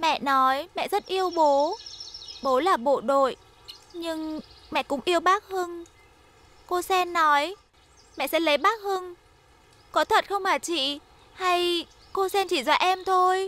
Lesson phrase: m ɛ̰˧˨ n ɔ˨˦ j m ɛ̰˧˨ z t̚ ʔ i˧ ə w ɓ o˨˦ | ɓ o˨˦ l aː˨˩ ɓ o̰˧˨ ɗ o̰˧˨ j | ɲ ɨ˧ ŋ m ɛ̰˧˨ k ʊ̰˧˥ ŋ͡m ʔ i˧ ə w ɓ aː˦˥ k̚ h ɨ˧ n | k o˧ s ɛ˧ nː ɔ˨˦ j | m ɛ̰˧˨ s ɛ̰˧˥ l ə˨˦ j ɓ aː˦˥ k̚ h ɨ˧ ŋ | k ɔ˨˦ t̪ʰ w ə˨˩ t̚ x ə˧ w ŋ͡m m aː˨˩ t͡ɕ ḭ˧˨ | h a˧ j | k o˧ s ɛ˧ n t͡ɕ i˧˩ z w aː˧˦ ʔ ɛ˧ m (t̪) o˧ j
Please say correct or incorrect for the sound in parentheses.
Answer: incorrect